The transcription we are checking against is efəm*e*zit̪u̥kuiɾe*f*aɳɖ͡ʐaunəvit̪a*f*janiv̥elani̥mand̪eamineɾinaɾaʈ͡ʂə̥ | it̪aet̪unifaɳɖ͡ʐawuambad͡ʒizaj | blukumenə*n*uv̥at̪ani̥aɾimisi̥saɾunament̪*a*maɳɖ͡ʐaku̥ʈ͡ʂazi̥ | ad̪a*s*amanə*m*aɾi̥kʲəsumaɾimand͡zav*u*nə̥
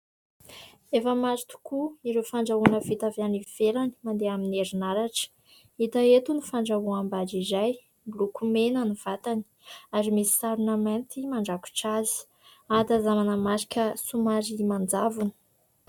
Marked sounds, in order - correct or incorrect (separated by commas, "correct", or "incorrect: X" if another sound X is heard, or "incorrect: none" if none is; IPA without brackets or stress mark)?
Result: incorrect: a, correct, incorrect: v, correct, incorrect: i, incorrect: z, correct, correct